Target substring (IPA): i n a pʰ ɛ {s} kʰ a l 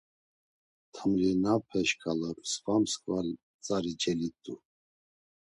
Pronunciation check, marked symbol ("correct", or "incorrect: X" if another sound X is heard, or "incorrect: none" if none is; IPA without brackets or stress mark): incorrect: ʃ